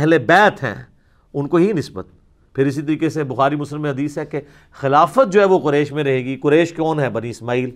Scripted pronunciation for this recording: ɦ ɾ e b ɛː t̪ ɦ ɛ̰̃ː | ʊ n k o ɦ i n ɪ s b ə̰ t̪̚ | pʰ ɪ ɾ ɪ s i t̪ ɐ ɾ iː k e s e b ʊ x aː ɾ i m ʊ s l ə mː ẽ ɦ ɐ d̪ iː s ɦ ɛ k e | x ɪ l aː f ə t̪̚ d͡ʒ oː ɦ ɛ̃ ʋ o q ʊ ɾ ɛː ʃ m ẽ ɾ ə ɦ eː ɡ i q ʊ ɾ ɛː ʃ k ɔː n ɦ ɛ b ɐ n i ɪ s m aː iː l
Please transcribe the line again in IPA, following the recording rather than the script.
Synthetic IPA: ɦ l e b ɛː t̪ ɦ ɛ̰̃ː | ʊ n k o ɦ i n ɪ s b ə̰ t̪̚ | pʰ ɪ ɾ ɪ s i t̪ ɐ ɾ iː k e s e b ʊ x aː ɾ i m ʊ s l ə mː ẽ ɦ ɐ d̪ iː s ɦ ɛ k e | x ɪ l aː f ə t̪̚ d͡ʒ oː ɦ ɛ ʋ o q ʊ ɾ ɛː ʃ m ẽ ɾ ɐ ɦ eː ɡ i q ʊ ɾ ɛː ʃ k ɔː n ɦ ɛ b ɐ n i ɪ s m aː iː l